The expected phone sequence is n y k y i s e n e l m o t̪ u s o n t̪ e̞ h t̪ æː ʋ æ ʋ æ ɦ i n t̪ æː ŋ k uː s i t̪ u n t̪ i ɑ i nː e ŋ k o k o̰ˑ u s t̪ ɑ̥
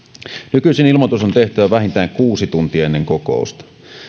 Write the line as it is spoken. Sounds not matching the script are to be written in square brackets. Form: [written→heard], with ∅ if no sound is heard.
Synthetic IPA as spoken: n y k y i s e n [e→i] l m o t̪ u s o n t̪ e̞ h t̪ [æː→æ] ʋ æ ʋ æ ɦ i n t̪ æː ŋ k uː s i t̪ u n t̪ i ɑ [i→e] nː e ŋ k o k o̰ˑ u s t̪ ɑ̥